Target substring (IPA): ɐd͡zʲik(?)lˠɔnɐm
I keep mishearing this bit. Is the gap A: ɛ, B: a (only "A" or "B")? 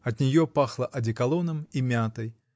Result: B